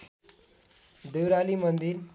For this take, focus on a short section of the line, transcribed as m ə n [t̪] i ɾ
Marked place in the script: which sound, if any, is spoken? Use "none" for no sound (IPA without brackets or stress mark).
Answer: d̪